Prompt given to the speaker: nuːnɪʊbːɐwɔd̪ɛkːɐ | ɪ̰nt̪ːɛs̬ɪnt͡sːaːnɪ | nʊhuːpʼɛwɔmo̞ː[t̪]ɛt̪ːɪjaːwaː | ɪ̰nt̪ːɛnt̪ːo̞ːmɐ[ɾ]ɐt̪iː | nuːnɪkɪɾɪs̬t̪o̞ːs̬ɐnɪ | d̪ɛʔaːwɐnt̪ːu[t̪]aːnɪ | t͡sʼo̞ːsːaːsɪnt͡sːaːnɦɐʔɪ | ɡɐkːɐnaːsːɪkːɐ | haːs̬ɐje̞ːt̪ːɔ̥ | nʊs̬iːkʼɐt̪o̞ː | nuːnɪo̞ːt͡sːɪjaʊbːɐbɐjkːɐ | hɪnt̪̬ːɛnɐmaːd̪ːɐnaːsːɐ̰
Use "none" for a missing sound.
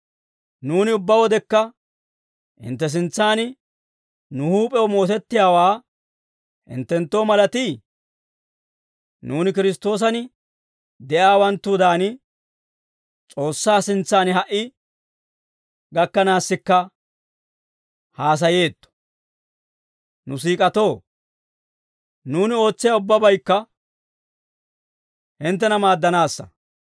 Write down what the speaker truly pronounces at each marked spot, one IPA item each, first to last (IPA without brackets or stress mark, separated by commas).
t̪, l, d̪